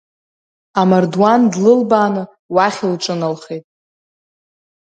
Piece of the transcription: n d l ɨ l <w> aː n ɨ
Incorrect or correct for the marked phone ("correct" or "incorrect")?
incorrect